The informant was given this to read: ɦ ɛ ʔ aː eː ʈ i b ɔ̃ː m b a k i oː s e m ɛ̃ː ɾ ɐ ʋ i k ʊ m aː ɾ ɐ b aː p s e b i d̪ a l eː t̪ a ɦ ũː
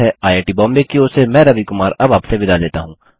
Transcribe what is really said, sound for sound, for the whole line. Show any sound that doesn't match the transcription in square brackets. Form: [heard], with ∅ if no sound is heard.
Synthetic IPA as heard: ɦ ɛ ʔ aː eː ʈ i b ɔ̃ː m b [e] k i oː s e m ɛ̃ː ɾ ɐ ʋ i k ʊ m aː ɾ ɐ b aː p s e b [ɪ] d̪ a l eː t̪ a ɦ ũː